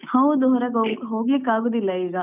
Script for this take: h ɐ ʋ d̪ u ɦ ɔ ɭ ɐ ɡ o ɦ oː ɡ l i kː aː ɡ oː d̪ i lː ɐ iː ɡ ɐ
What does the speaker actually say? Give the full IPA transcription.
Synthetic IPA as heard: h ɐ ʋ d̪ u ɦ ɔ ɾ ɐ ɡ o ɦ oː ɡ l i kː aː ɡ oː d̪ i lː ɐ iː ɡ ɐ